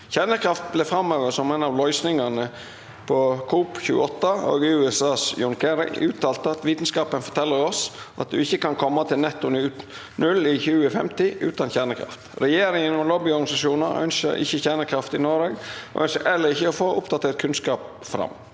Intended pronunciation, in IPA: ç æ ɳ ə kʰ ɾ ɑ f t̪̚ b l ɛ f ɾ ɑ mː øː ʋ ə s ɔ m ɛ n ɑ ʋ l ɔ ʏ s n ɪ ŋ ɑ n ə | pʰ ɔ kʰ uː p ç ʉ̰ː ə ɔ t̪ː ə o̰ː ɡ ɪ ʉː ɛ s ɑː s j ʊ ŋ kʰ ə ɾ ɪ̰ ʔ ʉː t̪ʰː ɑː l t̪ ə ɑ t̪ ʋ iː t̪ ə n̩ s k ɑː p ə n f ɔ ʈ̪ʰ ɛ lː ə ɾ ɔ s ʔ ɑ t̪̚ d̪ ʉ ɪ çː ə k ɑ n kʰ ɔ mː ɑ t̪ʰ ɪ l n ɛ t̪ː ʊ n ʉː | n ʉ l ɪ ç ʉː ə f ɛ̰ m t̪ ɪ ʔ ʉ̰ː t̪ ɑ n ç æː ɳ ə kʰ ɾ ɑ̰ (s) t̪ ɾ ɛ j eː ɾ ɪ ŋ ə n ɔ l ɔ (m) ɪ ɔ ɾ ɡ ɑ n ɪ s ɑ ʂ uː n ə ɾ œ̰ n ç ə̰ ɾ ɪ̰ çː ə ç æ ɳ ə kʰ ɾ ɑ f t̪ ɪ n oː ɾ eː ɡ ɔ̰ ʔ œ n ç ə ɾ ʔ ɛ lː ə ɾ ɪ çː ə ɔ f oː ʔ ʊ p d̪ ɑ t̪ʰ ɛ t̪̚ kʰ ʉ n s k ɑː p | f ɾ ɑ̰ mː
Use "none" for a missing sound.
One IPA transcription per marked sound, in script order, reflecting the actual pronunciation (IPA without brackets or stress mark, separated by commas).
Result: f, b